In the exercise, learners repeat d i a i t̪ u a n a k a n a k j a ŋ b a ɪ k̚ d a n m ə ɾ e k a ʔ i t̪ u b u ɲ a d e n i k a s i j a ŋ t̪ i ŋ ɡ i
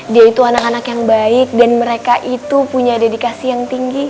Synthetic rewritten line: d i a i t̪ u a n a k a n a k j a ŋ b a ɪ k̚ d a n m ə ɾ e k a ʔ i t̪ u p u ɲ a d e d i k a s i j a ŋ t̪ i ŋ ɡ i